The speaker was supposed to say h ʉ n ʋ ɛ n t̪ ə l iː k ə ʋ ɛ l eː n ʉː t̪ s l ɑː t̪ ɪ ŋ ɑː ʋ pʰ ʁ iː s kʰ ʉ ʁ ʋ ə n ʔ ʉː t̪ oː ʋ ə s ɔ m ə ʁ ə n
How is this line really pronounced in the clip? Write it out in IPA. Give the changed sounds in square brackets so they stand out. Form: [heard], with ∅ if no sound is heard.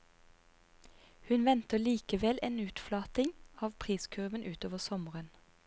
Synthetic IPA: h ʉ n ʋ ɛ n t̪ ə l iː k ə ʋ ɛ l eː n ʉː t̪ [f] l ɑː t̪ ɪ ŋ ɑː ʋ pʰ ʁ iː s kʰ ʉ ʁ ʋ ə n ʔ ʉː t̪ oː ʋ ə s ɔ m ə ʁ ə n